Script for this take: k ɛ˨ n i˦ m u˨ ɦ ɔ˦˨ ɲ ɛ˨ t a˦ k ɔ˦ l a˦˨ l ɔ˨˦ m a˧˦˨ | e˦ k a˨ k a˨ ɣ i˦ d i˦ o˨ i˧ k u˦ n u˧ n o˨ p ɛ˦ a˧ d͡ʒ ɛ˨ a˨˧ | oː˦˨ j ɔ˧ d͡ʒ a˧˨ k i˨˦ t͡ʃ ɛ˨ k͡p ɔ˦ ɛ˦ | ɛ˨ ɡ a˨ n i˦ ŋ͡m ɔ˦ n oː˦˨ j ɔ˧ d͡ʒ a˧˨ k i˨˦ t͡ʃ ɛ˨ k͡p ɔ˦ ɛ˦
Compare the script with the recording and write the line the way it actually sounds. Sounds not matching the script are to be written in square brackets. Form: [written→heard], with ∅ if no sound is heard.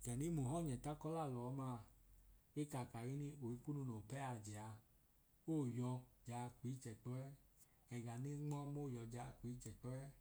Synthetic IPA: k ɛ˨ n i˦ m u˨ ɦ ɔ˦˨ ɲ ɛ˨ t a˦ k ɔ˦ l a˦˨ l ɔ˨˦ m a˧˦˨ | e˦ k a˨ k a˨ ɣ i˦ [d→n] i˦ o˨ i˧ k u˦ n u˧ n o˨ p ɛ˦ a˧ d͡ʒ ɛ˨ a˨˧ | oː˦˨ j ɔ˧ d͡ʒ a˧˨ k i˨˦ t͡ʃ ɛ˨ k͡p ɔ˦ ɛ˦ | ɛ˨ ɡ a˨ n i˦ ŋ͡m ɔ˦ [n→m] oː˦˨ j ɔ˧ d͡ʒ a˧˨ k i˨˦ t͡ʃ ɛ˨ k͡p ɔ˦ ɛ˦